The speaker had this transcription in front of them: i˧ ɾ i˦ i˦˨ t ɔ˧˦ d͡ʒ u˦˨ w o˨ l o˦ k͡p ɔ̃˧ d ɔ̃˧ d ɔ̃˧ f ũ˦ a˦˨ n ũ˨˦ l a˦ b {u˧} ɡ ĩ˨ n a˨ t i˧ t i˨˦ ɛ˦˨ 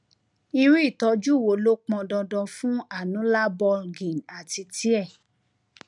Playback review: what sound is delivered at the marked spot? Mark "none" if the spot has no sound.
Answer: ɔ˧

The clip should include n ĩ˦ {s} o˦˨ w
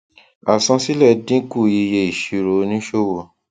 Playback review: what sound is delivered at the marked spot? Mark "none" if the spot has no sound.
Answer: ʃ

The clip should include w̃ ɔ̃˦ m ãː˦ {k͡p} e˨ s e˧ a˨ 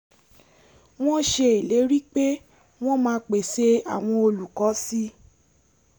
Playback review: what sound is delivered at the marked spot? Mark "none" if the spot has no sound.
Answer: k͡p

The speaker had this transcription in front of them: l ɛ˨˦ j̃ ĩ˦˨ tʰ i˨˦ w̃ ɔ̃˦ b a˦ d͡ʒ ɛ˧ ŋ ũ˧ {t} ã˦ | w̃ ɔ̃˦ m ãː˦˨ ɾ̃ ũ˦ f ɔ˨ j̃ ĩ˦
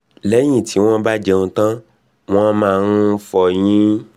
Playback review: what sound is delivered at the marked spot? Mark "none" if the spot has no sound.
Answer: t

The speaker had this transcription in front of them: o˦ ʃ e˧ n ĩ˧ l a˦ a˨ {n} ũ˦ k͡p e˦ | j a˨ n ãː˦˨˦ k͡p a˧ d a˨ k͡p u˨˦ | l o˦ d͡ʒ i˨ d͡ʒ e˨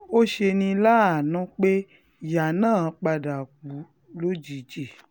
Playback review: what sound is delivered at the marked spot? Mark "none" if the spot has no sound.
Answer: n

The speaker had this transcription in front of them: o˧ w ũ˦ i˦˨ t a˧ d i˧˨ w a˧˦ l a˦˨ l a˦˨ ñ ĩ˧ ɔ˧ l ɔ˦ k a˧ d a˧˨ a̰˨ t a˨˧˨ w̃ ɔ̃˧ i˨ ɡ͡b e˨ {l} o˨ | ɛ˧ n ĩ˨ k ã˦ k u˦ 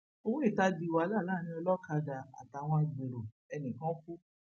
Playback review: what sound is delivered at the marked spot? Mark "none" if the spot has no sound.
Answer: ɾ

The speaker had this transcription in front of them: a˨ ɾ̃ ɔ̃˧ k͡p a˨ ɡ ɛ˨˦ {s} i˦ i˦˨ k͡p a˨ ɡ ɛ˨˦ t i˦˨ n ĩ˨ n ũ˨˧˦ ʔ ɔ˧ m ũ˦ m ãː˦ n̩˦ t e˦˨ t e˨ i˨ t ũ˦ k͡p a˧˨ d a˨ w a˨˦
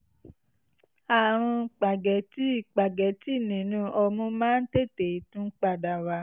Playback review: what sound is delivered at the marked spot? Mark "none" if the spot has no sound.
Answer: t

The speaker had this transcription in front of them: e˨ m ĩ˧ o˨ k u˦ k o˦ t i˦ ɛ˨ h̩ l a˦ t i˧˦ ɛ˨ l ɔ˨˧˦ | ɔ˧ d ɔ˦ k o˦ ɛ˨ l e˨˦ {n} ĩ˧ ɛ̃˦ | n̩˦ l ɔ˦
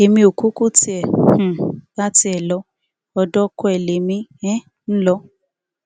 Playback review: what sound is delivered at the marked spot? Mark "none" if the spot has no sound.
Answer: m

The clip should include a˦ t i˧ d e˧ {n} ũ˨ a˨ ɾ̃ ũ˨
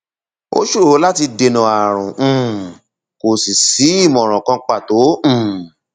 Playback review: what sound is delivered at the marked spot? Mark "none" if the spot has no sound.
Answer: n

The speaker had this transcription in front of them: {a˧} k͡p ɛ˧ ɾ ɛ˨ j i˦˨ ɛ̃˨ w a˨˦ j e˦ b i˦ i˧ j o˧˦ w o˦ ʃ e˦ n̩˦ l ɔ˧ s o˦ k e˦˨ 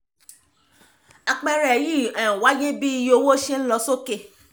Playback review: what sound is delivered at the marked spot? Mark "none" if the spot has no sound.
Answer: a˧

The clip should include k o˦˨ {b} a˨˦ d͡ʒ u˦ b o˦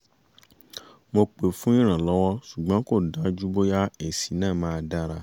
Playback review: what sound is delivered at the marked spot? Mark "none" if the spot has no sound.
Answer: d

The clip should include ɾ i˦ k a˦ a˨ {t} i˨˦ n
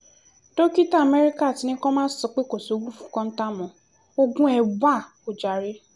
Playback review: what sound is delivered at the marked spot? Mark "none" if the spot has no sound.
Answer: t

